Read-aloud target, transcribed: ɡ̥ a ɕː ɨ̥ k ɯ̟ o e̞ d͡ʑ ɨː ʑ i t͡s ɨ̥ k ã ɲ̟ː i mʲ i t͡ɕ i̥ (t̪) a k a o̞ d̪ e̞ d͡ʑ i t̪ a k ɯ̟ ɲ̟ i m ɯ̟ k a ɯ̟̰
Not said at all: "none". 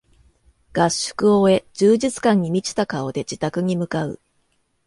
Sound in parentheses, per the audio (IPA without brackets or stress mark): t̪